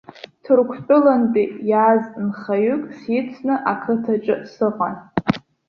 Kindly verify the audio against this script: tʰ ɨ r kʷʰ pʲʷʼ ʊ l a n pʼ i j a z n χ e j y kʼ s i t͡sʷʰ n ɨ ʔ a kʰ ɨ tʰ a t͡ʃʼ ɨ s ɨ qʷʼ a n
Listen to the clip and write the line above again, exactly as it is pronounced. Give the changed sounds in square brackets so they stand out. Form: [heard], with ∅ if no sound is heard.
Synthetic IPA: tʰ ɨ r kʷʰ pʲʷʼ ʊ l a n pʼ i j a z n χ [a] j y kʼ s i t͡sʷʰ n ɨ ʔ a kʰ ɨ tʰ a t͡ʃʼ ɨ s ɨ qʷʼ a n